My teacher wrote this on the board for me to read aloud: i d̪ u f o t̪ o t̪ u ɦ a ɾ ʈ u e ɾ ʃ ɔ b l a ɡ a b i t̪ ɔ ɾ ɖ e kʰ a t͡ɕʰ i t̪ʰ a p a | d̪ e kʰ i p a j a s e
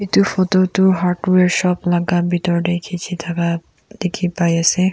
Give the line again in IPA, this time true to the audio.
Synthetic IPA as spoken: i t̪ u f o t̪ o t̪ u ɦ a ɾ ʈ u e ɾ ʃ ɔ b l a ɡ a b i t̪ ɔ ɾ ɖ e kʰ i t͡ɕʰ i t̪ʰ a k a | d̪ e kʰ i p a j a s e